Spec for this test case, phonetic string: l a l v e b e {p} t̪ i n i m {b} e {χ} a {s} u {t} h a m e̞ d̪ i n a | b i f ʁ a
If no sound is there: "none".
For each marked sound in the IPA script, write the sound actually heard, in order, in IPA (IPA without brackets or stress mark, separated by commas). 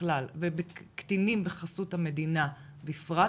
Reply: k, b, χ, s, t